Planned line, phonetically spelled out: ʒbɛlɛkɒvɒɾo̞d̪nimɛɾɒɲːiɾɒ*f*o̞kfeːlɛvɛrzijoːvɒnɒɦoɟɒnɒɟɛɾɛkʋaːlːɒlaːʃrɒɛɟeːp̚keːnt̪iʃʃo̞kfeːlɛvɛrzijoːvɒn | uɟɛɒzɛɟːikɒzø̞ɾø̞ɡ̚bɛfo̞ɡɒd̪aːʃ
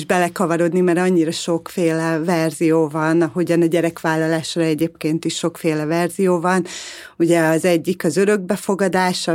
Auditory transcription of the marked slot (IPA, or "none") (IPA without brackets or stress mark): ʃ